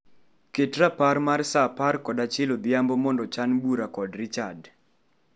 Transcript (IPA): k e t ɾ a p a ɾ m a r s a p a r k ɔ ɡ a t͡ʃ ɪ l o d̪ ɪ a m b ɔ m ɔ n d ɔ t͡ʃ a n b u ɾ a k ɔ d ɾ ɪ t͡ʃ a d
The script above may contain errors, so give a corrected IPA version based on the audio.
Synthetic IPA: k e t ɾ a p a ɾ m a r s a p a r k ɔ d a t͡ʃ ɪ l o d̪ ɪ a m b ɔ m ɔ n d ɔ t͡ʃ a n b u ɾ a k ɔ d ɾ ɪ t͡ʃ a d